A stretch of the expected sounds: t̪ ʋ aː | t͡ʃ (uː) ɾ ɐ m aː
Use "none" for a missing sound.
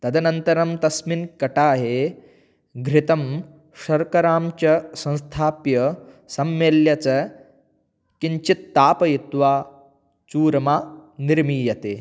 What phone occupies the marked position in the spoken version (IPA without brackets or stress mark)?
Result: uː